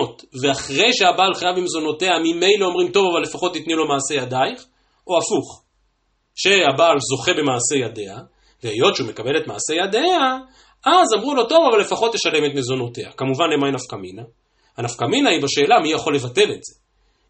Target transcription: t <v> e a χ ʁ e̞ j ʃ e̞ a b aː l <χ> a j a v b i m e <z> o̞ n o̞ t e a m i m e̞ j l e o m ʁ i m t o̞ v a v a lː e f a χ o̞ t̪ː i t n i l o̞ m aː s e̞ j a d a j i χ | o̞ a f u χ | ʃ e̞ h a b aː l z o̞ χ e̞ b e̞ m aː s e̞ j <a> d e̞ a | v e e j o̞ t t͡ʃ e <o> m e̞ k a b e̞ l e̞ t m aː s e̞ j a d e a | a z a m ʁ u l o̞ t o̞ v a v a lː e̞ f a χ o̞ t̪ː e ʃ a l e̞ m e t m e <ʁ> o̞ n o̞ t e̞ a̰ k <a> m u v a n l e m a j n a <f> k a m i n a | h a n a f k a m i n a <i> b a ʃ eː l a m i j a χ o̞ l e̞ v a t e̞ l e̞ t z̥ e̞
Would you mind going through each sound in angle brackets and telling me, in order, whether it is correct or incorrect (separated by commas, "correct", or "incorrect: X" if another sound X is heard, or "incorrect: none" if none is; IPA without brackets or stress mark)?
correct, correct, correct, correct, incorrect: u, incorrect: z, correct, correct, correct